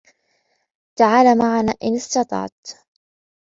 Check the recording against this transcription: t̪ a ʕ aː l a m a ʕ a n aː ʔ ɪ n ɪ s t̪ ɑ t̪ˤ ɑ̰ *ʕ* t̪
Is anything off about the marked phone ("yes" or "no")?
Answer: no